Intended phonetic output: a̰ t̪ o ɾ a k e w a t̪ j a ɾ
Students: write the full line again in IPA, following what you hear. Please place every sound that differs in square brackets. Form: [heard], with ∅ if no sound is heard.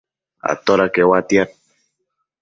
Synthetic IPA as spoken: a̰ t̪ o ɾ a k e w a t̪ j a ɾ